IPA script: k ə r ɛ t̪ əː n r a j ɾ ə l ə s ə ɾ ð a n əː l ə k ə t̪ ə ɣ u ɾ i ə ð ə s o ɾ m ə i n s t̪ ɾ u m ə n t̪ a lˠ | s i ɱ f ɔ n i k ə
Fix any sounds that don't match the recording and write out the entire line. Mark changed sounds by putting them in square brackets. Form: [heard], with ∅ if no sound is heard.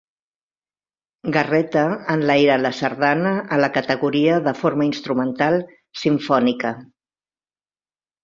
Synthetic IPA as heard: [ɡ] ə r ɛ t̪ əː n [l] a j ɾ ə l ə s ə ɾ ð a n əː l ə k ə t̪ ə ɣ u ɾ i ə ð ə [f] o ɾ m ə i n s t̪ ɾ u m ə n t̪ a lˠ | s i ɱ f ɔ n i k ə